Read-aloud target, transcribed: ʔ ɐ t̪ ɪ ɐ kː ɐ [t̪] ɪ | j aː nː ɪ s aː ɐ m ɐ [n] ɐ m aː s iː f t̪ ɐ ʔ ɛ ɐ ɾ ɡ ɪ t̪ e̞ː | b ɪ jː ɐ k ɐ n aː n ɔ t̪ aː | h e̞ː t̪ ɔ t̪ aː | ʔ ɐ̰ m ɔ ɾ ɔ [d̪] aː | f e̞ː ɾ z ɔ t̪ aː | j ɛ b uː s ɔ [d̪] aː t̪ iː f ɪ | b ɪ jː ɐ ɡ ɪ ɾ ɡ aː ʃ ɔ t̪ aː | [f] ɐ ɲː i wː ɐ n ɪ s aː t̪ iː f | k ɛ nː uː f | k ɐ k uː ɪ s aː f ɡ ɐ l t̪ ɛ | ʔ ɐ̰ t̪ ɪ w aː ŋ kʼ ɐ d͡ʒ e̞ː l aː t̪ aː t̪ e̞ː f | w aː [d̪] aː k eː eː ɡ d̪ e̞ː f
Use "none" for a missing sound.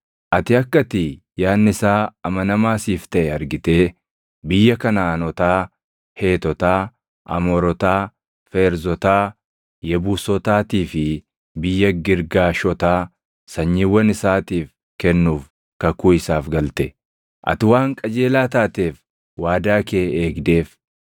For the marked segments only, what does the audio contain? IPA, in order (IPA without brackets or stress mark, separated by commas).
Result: t̪, n, t̪, t̪, s, d̪